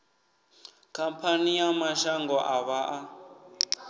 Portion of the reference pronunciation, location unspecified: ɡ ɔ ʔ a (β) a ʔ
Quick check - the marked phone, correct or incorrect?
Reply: correct